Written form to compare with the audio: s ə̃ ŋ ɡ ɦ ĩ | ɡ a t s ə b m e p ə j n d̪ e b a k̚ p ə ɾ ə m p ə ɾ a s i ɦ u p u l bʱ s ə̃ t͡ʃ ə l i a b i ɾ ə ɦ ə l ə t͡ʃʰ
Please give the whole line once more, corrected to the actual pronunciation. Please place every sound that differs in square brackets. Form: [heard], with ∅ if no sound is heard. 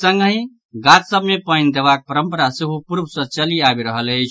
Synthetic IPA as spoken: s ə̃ ŋ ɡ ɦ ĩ | ɡ a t s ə b m e p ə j n d̪ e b a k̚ p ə ɾ ə m p ə ɾ a s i ɦ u p u [ɾ] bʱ s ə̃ t͡ʃ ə l i a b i ɾ ə ɦ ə l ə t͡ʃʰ